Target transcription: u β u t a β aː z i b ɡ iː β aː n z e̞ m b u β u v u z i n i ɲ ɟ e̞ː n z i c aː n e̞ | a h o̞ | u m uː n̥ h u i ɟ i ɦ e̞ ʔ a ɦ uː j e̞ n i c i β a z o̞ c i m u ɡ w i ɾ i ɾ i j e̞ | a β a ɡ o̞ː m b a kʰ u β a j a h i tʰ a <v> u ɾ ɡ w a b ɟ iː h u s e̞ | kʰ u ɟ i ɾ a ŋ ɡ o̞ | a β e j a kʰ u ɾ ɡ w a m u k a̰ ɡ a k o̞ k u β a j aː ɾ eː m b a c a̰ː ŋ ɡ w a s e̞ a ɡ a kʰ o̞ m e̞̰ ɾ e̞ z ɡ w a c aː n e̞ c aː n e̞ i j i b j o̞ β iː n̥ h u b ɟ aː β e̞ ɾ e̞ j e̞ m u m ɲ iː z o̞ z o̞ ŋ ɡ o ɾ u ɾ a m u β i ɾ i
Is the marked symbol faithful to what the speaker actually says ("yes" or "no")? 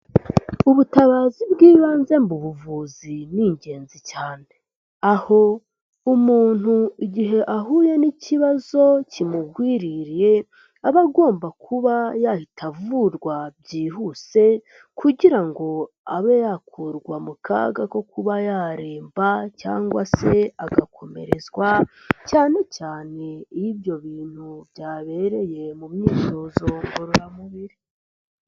yes